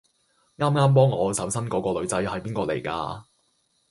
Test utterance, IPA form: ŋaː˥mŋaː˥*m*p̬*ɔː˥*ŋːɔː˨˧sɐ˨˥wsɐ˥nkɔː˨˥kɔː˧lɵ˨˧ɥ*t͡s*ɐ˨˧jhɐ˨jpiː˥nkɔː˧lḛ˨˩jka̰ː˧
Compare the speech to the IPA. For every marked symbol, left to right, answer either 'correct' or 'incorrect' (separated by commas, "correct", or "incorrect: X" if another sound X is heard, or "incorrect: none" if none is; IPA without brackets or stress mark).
correct, correct, correct